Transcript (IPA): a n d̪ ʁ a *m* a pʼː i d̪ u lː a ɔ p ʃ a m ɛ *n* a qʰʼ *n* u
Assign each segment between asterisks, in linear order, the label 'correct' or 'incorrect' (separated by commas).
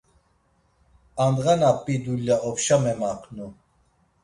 incorrect, incorrect, correct